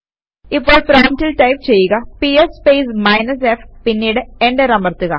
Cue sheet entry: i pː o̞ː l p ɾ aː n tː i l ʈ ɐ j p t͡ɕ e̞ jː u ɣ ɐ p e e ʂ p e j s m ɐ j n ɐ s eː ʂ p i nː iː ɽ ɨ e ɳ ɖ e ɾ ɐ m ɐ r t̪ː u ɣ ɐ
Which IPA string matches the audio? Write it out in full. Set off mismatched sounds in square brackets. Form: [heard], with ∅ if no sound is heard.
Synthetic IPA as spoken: i pː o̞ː [ɭ] p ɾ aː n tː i l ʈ ɐ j p t͡ɕ e̞ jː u ɣ ɐ p [i] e [s] p e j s m ɐ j n ɐ s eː [f] p i nː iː ɽ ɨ e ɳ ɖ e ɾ ɐ m ɐ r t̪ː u ɣ ɐ